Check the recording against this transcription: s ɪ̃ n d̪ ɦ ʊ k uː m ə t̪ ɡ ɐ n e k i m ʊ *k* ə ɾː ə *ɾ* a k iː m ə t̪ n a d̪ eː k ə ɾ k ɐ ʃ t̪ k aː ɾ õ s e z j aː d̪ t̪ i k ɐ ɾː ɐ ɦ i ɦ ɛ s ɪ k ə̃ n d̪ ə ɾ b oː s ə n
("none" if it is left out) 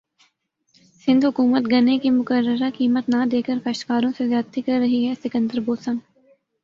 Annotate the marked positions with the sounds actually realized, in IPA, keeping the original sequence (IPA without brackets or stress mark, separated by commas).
k, ɾ